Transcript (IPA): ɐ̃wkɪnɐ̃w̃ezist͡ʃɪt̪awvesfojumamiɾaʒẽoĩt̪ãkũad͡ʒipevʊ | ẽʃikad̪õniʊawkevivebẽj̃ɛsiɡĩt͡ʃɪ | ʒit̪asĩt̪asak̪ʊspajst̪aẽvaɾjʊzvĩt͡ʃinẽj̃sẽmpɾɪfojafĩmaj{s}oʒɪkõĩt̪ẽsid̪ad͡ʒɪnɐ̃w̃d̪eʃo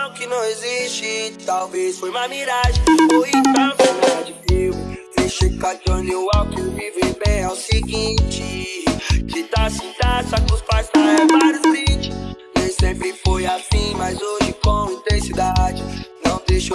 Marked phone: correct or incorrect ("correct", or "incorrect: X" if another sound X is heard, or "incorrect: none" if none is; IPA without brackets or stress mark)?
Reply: incorrect: z